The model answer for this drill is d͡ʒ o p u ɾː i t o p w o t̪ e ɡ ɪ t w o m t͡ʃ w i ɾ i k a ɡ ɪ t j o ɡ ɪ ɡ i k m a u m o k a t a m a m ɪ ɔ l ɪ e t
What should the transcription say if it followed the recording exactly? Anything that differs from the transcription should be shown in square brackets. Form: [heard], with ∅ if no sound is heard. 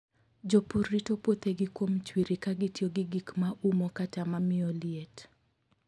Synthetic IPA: d͡ʒ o p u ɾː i t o p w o t̪ e ɡ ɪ [k] w o m t͡ʃ w i ɾ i k a ɡ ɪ t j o ɡ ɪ ɡ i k m a u m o k a t a m a m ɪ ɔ l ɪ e t